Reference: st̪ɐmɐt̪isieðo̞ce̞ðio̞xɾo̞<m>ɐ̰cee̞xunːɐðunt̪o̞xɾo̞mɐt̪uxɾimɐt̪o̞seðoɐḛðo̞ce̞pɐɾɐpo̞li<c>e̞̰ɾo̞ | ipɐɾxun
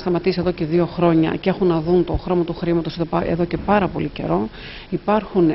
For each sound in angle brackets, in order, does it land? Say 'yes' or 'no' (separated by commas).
no, yes